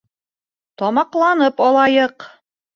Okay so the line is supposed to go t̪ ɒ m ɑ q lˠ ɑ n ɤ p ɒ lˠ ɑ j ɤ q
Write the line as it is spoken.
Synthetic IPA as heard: t̪ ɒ m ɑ q lˠ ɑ n ɤ p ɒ lˠ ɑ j ɤ q